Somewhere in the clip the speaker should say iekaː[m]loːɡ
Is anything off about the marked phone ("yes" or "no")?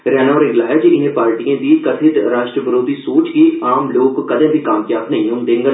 no